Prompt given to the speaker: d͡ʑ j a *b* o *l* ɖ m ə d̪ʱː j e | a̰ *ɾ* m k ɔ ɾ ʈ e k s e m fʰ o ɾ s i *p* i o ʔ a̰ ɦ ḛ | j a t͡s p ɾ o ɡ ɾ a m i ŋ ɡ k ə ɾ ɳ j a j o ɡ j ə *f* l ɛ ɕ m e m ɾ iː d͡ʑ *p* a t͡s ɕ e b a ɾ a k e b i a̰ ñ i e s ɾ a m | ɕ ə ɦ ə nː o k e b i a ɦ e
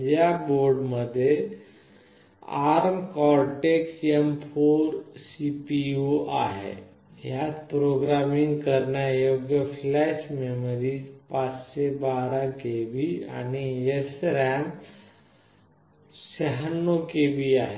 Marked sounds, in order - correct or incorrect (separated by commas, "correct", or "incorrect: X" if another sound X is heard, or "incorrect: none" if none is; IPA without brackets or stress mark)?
correct, incorrect: ɾ, correct, correct, correct, correct